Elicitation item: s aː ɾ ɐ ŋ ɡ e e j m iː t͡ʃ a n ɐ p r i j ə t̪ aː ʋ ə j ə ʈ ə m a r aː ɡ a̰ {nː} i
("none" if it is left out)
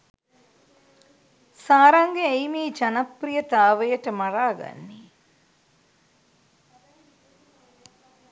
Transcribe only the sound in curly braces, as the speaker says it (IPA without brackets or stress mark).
nː